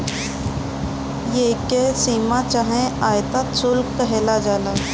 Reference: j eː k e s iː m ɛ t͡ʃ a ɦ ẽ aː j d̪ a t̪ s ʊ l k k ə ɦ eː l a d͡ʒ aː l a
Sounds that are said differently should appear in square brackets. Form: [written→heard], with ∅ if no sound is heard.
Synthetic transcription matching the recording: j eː k e s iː m [ɛ→a] t͡ʃ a ɦ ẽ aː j [d̪→t̪] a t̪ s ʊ l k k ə ɦ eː l a d͡ʒ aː l a